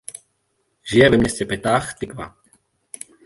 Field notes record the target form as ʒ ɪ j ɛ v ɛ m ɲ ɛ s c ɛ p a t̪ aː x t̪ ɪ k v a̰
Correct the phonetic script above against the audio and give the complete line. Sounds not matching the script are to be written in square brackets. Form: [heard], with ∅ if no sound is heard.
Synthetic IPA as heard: ʒ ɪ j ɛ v ɛ m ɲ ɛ s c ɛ p [ɛ] t̪ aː x t̪ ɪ k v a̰